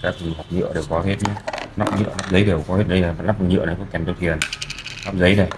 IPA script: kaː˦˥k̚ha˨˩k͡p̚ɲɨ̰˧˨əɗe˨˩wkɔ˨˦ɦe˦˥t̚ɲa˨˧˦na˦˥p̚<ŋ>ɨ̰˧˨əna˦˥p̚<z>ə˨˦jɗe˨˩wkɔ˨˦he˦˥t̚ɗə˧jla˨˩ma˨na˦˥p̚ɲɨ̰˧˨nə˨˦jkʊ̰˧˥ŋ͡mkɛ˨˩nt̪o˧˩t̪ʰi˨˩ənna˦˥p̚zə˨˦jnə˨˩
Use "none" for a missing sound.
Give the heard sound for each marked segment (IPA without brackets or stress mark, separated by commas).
ɲ, z